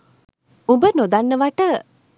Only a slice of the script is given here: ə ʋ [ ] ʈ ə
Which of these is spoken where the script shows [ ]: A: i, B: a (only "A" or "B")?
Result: B